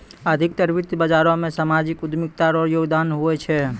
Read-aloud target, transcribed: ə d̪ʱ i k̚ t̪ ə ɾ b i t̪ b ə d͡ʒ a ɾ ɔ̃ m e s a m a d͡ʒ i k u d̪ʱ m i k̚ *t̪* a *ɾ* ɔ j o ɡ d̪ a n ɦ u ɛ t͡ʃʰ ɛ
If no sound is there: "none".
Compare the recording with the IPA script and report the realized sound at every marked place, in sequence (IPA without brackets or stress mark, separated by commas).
t̪, ɾ